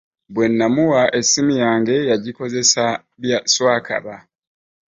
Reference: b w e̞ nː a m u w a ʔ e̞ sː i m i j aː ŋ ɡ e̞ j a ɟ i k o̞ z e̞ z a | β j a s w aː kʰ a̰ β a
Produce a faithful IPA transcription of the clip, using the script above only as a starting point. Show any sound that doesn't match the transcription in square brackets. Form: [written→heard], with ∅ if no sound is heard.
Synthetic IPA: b w e̞ nː a m u w a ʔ e̞ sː i m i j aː ŋ ɡ e̞ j a ɟ i k o̞ z e̞ [z→s] a | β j a s w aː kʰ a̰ β a